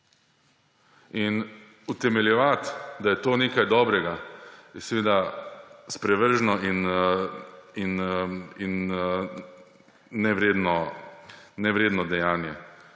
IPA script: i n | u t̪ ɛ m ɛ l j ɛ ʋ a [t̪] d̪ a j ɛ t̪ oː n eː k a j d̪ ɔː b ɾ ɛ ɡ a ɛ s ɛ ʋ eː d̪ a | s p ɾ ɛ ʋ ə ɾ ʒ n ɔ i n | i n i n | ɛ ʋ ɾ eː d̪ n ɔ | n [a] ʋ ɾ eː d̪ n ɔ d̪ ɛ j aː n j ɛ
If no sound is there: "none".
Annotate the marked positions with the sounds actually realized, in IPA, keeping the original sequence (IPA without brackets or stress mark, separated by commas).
t̪, ɛ